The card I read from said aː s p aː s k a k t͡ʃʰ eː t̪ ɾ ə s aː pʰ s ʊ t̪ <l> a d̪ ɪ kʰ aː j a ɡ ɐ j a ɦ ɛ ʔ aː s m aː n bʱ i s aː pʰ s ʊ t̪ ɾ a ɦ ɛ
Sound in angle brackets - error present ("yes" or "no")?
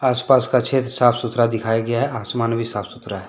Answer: yes